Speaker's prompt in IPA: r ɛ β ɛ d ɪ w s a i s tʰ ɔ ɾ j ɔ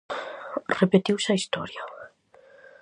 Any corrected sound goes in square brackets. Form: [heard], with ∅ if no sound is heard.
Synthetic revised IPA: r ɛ [b] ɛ d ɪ w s a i s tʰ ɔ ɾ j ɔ